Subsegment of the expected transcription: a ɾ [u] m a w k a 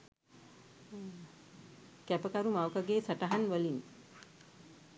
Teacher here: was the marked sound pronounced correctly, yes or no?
yes